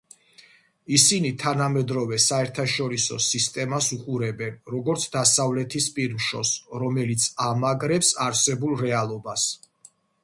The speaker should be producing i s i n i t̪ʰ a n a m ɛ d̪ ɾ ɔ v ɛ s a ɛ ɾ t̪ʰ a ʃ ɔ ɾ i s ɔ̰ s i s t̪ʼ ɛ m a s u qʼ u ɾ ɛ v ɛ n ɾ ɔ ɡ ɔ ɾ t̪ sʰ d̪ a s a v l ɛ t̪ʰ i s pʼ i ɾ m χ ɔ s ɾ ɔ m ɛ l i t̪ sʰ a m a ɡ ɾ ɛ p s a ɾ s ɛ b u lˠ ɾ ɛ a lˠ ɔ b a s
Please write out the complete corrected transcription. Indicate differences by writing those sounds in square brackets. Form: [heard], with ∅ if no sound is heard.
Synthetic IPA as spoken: i s i n i t̪ʰ a n a m ɛ d̪ ɾ ɔ v ɛ s a ɛ ɾ t̪ʰ a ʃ ɔ ɾ i s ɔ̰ s i s t̪ʼ ɛ m a s u qʼ u ɾ ɛ [b] ɛ n ɾ ɔ ɡ ɔ ɾ t̪ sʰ d̪ a s a v l ɛ t̪ʰ i s pʼ i ɾ m [ʃ] ɔ s ɾ ɔ m ɛ l i t̪ sʰ a m a ɡ ɾ ɛ p s a ɾ s ɛ b u lˠ ɾ ɛ a lˠ ɔ b a s